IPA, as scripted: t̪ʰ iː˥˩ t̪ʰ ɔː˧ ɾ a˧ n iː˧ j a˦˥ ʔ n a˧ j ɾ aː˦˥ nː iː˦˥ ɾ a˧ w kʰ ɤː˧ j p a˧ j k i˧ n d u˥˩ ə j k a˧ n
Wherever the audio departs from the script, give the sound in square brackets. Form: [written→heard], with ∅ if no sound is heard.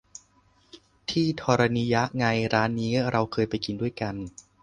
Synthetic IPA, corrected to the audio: t̪ʰ iː˥˩ t̪ʰ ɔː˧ ɾ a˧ n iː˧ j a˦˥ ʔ [n→ŋ] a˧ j ɾ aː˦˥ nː iː˦˥ ɾ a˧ w kʰ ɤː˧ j p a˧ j k i˧ n d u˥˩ ə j k a˧ n